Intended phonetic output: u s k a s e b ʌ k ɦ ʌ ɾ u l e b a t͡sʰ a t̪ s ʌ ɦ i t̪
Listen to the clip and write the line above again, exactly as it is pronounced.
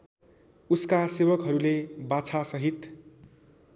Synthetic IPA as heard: u s k a s e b ʌ k ɦ ʌ ɾ u l e b a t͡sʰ a s ʌ ɦ i t̪